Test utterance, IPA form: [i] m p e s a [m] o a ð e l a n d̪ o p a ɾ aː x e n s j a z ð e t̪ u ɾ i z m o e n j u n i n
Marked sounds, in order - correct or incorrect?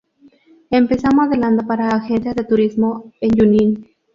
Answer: incorrect: e, correct

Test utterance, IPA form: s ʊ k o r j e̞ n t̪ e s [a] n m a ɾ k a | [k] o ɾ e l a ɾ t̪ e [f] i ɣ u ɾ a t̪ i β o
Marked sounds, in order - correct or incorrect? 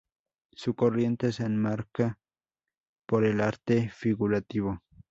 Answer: incorrect: e, incorrect: p, correct

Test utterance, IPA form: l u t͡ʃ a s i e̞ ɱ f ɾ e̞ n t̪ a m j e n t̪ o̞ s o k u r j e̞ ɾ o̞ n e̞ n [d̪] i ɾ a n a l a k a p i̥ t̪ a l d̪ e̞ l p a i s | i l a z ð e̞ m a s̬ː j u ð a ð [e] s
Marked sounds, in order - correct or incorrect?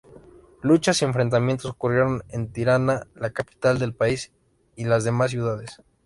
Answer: incorrect: t̪, correct

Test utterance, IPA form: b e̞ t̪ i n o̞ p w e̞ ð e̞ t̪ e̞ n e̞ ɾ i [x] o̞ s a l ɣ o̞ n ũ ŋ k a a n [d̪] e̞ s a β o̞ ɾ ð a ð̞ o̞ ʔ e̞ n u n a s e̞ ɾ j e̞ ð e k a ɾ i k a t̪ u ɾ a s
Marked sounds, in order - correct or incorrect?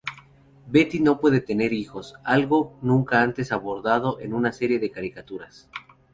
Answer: correct, incorrect: t̪

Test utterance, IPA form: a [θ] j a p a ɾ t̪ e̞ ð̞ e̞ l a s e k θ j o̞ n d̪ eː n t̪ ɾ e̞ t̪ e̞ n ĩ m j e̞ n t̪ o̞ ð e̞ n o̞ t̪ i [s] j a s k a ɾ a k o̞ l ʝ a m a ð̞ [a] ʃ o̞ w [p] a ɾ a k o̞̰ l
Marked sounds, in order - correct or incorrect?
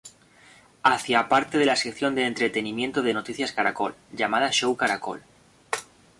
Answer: correct, incorrect: θ, correct, incorrect: k

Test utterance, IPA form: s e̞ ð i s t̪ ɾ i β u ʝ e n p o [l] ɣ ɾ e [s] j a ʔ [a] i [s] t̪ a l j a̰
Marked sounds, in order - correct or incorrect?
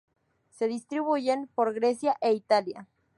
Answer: incorrect: ɾ, correct, incorrect: e, incorrect: none

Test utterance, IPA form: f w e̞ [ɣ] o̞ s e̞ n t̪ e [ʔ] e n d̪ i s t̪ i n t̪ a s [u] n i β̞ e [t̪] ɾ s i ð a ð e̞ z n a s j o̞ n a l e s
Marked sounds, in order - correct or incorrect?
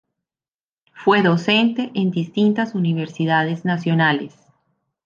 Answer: incorrect: ð, correct, correct, incorrect: none

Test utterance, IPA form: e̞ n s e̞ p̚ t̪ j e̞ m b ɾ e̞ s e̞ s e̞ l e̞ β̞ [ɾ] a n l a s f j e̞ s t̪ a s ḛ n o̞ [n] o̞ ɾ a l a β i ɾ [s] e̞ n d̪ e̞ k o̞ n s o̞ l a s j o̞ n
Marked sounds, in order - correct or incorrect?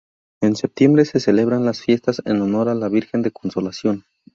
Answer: correct, correct, incorrect: x

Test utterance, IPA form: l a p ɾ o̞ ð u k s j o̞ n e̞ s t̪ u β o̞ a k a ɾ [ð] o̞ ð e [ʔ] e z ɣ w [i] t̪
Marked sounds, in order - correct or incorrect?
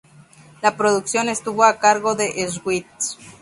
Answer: incorrect: ɣ, correct, correct

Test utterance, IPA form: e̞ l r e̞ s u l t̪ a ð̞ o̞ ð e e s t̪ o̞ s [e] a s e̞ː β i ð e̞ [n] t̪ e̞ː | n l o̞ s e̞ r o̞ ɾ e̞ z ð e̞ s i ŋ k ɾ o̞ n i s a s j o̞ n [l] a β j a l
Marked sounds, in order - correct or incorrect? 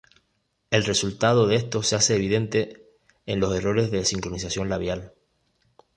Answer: correct, correct, correct

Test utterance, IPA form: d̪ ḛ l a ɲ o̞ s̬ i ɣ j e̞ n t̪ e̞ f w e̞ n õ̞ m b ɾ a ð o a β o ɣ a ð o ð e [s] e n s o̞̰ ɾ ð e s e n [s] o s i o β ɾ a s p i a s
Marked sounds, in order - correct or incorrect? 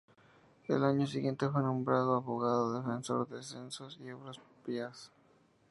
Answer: incorrect: f, correct

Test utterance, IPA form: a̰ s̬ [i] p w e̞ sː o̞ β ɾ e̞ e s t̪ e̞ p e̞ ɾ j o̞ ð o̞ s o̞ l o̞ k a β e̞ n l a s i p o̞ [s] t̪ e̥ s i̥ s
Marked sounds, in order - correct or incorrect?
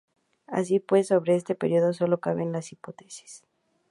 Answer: correct, incorrect: none

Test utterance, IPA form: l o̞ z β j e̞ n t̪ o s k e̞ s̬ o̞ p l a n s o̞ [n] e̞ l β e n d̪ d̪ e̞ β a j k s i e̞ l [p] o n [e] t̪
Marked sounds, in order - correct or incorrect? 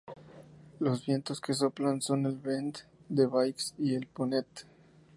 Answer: correct, correct, correct

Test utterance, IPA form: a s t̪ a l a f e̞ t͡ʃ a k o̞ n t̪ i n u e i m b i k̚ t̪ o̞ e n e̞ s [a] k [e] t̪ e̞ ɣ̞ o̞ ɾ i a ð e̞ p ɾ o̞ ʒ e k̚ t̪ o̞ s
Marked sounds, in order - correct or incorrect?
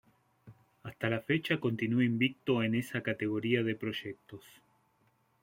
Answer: correct, incorrect: a

